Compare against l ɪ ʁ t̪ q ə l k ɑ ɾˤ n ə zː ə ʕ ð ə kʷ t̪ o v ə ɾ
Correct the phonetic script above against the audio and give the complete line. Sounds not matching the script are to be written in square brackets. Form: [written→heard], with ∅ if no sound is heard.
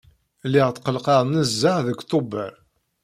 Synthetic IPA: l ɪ ʁ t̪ q ə l [k→q] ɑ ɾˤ n ə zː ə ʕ ð ə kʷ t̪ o [v→b] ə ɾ